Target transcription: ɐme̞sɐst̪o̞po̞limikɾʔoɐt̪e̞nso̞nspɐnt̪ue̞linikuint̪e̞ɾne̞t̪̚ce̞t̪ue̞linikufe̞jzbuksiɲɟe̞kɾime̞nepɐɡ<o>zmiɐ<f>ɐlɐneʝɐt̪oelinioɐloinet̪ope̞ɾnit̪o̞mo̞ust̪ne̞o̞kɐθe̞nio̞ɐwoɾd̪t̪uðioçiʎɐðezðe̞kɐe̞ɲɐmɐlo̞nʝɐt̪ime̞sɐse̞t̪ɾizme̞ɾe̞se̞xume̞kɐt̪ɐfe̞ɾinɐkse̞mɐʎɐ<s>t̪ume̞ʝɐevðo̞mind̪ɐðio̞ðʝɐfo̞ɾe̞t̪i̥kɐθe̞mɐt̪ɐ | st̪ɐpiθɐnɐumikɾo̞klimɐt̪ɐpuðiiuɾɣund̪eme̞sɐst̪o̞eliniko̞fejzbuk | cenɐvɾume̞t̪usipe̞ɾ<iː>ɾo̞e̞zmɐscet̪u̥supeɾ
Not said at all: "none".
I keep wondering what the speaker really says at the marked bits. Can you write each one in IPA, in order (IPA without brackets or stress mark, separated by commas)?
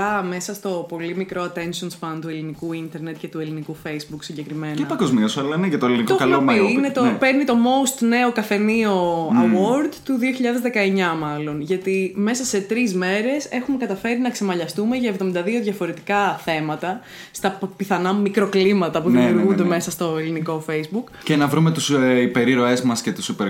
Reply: o, s, s, i